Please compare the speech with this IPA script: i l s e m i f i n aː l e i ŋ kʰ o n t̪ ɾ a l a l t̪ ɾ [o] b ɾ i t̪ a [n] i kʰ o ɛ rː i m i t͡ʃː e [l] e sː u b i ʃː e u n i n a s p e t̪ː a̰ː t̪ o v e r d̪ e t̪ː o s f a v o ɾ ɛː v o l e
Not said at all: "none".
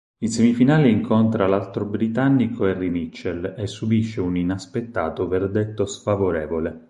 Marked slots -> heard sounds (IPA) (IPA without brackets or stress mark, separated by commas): o, nː, l